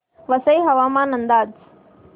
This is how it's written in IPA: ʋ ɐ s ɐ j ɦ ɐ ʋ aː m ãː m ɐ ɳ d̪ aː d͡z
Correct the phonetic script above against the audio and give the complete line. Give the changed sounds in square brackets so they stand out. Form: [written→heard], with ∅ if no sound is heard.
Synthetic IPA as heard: ʋ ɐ s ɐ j ɦ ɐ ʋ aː m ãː [m→n] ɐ [ɳ→n] d̪ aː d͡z